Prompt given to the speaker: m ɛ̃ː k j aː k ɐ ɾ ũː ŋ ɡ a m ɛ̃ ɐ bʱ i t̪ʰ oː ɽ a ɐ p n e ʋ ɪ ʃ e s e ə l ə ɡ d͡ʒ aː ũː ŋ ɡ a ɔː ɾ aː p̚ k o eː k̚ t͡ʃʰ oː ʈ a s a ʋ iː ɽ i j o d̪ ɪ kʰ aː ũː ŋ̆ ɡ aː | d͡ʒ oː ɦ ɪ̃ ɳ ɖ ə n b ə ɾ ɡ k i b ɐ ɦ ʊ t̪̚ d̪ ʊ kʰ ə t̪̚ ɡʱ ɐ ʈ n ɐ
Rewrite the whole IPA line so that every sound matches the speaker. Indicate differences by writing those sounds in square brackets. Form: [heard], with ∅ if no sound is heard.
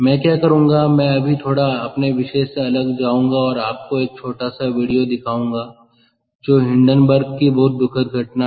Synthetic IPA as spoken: m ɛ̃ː k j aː k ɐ ɾ ũː ŋ ɡ a m ɛ̃ ɐ bʱ i t̪ʰ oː ɽ a ɐ p n e ʋ ɪ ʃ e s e [ɐ] l ə ɡ d͡ʒ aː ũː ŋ ɡ a ɔː ɾ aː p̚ k o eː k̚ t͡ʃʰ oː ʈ a s a ʋ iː ɽ i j o d̪ ɪ kʰ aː ũː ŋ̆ ɡ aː | d͡ʒ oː ɦ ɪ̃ ɳ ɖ ə n b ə ɾ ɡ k i b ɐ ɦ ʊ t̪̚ d̪ ʊ kʰ ə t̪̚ ɡʱ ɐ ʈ n [a]